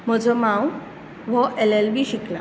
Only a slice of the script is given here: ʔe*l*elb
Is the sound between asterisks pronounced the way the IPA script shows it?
yes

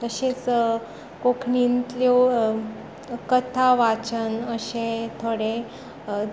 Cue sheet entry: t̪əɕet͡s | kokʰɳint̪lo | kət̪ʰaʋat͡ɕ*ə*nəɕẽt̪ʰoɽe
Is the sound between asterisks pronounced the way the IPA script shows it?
yes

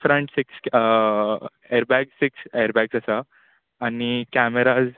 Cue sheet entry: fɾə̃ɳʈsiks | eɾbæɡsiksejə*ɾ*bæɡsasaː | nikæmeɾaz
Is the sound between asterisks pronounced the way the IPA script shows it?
yes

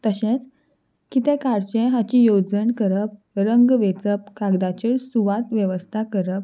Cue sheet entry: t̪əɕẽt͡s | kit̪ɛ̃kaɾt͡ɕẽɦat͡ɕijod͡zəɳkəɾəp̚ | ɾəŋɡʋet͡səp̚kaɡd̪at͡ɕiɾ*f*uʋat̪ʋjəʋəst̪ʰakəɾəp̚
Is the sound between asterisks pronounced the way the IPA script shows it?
no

